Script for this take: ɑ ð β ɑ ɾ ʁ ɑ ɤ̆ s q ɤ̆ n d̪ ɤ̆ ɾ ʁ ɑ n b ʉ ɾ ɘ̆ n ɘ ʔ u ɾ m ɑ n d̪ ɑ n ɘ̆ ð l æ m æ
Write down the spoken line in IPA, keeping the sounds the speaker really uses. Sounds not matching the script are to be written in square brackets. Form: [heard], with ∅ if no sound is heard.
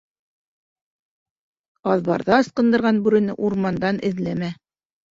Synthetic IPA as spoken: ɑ ð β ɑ ɾ [ð] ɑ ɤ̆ s q ɤ̆ n d̪ ɤ̆ ɾ ʁ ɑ n b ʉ ɾ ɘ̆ n ɘ ʔ u ɾ m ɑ n d̪ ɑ n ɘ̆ ð l æ m æ